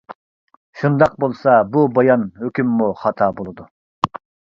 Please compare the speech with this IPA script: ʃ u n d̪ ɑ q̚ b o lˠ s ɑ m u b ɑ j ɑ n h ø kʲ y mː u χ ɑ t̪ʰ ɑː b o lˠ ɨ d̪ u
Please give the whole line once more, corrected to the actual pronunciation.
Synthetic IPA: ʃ u n d̪ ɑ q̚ b o lˠ s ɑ b u b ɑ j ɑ n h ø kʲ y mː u χ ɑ t̪ʰ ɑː b o lˠ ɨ d̪ u